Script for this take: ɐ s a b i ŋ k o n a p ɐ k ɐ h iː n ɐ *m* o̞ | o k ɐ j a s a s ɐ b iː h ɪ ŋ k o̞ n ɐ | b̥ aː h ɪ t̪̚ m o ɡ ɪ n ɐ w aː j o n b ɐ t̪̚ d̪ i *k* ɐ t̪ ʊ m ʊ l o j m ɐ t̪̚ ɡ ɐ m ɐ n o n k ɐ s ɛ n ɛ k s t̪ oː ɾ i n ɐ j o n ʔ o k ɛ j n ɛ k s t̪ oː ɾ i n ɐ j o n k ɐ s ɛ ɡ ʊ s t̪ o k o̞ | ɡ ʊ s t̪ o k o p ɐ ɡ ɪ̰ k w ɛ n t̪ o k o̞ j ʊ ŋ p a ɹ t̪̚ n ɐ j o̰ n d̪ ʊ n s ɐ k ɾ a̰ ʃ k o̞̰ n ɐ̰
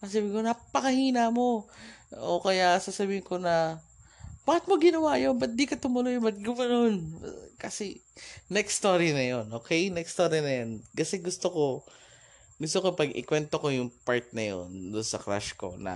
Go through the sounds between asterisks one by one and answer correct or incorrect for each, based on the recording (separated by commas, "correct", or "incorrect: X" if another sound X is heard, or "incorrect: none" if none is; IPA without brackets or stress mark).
correct, correct